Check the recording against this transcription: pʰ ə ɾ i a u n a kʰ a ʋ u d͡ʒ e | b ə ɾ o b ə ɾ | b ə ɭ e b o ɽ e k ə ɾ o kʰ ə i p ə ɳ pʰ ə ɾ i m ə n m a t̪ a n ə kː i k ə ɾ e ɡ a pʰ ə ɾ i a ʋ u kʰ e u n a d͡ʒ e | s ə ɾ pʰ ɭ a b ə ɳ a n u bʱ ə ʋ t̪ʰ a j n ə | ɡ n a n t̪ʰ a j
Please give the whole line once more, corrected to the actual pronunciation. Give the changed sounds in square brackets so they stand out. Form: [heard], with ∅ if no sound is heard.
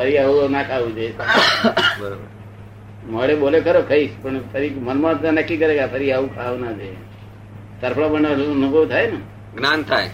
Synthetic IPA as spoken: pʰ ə ɾ i a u n a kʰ a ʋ u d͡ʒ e | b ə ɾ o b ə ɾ | [m] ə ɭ e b o [l] e k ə ɾ o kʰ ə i p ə ɳ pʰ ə ɾ i m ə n m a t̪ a n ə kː i k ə ɾ e ɡ a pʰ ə ɾ i a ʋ u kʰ [a] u n a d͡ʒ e | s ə ɾ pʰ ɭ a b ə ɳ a n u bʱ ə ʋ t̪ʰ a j n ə | ɡ n a n t̪ʰ a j